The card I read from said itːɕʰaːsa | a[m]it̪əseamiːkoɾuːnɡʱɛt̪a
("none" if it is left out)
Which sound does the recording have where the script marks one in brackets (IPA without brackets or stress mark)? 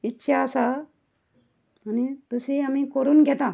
n